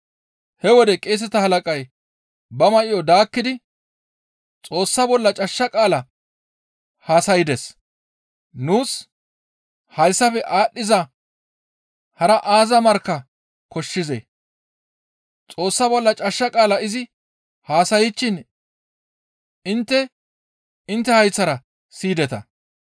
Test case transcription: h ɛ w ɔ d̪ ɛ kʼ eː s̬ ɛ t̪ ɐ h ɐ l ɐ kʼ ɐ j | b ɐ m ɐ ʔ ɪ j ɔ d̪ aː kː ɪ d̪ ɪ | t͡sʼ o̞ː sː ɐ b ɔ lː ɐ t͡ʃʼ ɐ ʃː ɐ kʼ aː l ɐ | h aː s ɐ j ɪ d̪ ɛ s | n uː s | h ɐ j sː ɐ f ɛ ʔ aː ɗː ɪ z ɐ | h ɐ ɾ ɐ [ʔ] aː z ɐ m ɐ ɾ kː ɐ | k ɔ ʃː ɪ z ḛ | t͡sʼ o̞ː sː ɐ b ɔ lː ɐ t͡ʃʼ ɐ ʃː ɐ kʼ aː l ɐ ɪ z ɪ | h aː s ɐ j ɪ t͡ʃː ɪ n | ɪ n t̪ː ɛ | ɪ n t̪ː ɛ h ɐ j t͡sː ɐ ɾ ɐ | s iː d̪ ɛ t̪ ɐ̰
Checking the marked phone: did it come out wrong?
no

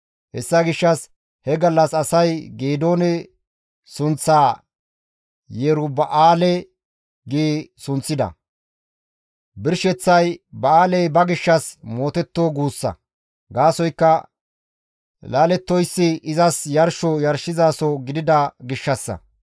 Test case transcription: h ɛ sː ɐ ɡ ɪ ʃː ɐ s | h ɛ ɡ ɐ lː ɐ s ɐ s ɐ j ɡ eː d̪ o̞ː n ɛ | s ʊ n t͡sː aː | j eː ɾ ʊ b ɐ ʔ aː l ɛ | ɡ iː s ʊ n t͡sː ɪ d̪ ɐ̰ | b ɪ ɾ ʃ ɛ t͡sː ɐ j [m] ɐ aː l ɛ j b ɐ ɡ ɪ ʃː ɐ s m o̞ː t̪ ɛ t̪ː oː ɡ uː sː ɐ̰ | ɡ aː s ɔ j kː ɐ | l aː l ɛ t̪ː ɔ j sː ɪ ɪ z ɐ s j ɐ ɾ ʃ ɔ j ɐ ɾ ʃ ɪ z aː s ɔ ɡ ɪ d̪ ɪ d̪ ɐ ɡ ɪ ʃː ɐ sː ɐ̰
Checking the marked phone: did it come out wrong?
yes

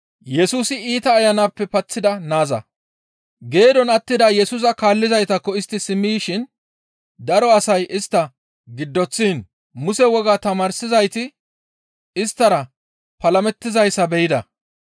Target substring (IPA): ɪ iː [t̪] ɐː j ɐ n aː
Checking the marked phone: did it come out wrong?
no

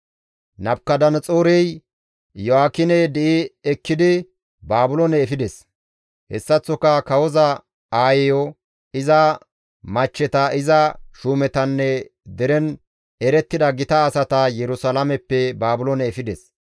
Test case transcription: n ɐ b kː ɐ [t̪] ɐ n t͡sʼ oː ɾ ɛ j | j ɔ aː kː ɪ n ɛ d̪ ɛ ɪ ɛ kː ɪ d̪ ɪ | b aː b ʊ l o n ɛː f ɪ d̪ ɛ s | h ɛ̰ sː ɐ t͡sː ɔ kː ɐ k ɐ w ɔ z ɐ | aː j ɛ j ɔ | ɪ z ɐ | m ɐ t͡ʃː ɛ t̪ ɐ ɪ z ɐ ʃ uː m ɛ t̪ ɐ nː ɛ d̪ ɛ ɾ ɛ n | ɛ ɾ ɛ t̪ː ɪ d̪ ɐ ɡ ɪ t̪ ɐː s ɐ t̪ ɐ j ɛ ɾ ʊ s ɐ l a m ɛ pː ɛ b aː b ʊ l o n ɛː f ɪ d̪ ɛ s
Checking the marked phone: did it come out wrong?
yes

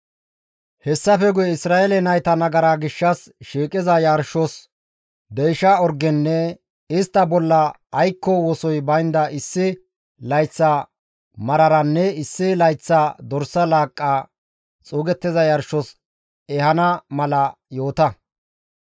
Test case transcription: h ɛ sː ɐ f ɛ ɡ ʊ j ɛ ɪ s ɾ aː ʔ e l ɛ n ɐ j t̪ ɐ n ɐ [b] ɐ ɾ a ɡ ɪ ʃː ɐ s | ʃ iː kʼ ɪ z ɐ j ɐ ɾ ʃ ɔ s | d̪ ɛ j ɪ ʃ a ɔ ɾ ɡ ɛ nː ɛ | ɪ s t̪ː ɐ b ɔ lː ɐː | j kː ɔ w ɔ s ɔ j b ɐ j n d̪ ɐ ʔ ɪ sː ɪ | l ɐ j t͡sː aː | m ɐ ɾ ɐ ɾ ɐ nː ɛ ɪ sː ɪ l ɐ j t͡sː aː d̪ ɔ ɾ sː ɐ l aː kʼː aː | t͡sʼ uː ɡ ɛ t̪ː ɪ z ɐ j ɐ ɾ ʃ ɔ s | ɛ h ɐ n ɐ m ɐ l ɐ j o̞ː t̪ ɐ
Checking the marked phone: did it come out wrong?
yes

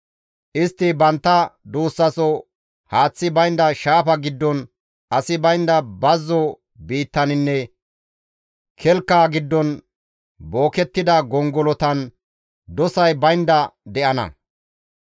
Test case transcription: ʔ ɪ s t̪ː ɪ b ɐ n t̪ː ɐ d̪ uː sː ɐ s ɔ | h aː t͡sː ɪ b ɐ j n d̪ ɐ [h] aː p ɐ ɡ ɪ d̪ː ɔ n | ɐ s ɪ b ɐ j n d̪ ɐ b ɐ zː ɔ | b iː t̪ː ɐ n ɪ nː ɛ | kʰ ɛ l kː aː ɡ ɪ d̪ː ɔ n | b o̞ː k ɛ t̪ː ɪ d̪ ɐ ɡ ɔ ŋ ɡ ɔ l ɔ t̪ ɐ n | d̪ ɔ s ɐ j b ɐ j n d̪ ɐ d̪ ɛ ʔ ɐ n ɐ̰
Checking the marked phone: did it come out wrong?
yes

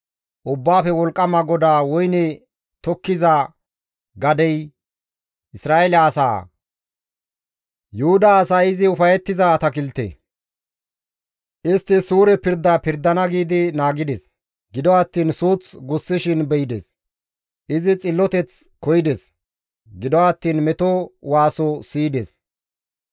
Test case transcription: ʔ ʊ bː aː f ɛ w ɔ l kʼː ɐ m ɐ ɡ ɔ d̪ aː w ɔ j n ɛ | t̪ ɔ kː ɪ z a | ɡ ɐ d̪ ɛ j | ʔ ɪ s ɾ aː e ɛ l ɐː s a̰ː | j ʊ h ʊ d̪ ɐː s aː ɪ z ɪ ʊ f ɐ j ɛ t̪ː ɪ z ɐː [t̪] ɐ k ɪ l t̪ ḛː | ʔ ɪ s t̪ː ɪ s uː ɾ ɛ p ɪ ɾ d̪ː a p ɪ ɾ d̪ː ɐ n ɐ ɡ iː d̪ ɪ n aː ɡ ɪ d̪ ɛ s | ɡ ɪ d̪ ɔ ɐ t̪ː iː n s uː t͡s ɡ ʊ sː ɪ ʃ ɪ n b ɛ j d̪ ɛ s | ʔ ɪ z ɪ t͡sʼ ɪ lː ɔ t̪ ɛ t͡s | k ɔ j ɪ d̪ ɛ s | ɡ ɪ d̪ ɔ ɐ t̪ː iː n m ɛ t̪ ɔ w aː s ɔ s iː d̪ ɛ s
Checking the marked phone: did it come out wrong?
no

